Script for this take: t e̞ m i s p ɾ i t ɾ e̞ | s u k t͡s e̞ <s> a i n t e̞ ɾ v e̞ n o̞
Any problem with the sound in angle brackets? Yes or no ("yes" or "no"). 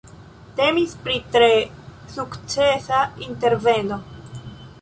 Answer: no